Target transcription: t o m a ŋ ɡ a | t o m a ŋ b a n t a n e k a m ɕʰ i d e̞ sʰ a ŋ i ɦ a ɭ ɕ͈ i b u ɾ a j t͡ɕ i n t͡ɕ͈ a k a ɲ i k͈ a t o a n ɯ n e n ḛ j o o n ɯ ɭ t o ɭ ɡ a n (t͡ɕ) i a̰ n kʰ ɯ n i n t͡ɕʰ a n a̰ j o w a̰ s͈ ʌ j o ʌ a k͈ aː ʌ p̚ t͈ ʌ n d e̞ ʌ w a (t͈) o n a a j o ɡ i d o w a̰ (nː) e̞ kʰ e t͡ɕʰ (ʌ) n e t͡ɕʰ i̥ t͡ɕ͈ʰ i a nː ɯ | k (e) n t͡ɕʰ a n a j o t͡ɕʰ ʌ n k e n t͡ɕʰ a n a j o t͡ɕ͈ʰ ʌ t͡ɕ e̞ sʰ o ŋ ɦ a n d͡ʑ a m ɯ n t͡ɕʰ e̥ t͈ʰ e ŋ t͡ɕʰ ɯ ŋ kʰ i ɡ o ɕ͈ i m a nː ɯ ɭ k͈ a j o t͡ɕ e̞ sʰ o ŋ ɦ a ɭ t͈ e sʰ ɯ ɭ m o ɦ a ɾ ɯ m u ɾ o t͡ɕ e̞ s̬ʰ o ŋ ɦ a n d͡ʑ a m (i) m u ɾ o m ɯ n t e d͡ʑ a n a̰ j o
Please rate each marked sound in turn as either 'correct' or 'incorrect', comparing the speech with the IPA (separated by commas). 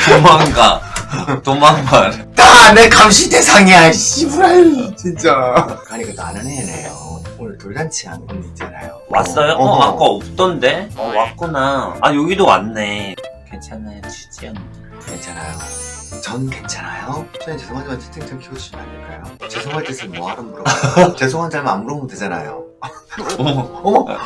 incorrect, incorrect, correct, incorrect, correct, incorrect